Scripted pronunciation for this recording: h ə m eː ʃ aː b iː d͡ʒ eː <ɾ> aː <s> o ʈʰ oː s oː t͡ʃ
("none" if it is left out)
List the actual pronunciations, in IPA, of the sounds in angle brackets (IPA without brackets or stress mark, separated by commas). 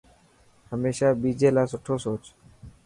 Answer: l, s